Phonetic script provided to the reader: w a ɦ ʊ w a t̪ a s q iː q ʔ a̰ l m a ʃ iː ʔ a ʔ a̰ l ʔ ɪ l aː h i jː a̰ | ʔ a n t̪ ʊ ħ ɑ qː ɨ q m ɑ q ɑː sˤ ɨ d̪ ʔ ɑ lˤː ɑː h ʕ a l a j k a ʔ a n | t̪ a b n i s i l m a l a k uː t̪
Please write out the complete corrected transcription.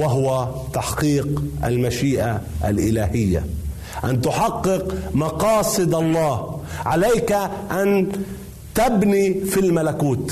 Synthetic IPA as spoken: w a ɦ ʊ w a t̪ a ħ q iː q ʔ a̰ l m a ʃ iː ʔ a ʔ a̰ l ʔ ɪ l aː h ɪ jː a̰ | ʔ a n t̪ ʊ ħ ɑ qː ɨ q m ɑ q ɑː sˤ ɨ d̪ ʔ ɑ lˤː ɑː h ʕ a l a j k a ʔ a n | t̪ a b n i f i l m a l a k uː t̪